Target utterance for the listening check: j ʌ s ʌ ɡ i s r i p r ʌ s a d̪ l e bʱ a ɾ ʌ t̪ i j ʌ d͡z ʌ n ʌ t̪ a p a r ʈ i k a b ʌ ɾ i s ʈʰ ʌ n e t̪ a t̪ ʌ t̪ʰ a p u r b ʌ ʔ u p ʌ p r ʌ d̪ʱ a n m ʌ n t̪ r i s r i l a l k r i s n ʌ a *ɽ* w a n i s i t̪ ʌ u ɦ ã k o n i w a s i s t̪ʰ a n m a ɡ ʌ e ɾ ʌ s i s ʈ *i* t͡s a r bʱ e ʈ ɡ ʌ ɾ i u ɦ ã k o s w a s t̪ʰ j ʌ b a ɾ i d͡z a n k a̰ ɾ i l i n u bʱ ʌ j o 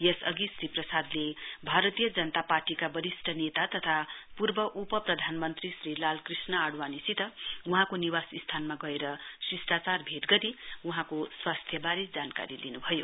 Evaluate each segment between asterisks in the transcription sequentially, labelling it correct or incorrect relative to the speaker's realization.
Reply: correct, incorrect: a

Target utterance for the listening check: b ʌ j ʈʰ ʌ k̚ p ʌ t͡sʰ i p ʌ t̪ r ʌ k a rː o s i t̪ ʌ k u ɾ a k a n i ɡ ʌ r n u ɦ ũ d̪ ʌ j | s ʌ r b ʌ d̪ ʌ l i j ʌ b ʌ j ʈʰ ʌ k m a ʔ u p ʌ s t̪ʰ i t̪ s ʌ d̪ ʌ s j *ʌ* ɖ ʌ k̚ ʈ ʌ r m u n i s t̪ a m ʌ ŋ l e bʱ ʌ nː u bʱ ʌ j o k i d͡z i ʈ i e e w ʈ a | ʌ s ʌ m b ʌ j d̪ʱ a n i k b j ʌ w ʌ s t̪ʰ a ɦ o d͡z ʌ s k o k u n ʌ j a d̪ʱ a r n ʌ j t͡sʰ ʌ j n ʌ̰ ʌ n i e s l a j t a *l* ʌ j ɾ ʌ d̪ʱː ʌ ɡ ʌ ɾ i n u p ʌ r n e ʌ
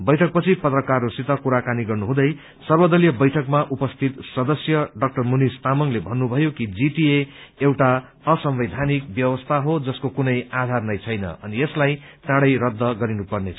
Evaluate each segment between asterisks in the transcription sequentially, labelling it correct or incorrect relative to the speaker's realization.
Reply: correct, incorrect: ɽ

